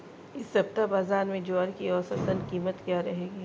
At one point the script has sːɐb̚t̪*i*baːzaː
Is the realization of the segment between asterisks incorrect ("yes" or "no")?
yes